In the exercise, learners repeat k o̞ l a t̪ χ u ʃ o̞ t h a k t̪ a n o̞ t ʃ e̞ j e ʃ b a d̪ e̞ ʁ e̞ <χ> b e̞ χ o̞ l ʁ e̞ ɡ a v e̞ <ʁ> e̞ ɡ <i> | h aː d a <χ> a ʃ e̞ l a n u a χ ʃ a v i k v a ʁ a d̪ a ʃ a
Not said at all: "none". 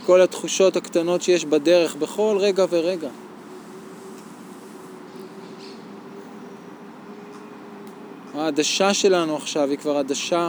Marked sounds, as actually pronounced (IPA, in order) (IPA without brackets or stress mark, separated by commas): χ, ʁ, a, ʃ